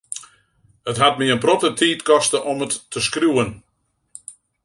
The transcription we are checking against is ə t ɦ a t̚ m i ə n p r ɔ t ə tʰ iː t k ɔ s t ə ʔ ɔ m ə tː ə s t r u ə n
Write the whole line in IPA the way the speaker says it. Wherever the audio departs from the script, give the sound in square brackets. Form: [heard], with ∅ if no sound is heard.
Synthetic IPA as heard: ə t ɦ a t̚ m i ə n p r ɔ t ə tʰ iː t k ɔ s t ə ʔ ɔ m ə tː ə s [k] r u ə n